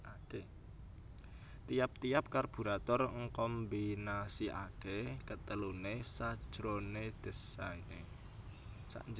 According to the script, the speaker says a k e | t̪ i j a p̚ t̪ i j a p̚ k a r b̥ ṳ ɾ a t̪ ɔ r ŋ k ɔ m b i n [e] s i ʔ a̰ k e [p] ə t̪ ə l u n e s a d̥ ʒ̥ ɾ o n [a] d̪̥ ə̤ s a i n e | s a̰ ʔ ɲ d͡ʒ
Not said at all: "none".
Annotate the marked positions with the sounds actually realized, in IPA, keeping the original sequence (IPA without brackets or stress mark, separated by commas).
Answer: a, k, e